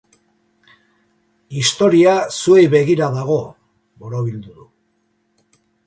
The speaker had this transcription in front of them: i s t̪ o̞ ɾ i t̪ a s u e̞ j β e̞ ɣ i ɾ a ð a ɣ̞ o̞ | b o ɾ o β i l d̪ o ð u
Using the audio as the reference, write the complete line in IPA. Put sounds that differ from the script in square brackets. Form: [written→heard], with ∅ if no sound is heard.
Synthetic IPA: i s t̪ o̞ ɾ i [t̪→∅] a s u e̞ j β e̞ ɣ i ɾ a ð a ɣ̞ o̞ | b o ɾ o β i l d̪ [o→u] ð u